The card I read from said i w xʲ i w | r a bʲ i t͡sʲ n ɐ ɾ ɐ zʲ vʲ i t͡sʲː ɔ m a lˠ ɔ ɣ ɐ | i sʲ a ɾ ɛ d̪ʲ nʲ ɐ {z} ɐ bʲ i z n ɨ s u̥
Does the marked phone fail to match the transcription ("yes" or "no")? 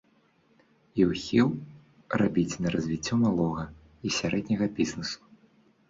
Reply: yes